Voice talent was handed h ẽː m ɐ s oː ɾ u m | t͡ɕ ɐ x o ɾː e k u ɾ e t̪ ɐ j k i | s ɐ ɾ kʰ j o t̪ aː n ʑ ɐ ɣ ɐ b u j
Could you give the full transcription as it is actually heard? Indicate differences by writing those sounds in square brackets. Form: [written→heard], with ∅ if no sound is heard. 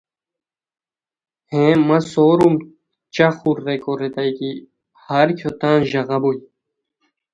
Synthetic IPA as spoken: h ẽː m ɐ s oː ɾ u m | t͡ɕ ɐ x [o→u] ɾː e k [u→o] ɾ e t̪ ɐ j k i | [s→h] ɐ ɾ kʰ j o t̪ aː n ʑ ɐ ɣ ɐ b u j